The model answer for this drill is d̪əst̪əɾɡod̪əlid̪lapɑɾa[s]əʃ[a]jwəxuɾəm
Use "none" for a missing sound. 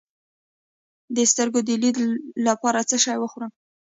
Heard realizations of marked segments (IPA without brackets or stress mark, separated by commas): t͡s, ɑ